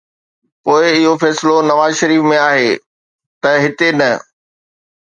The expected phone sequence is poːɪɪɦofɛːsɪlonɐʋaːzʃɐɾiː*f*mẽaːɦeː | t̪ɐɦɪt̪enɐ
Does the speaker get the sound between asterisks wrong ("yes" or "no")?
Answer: no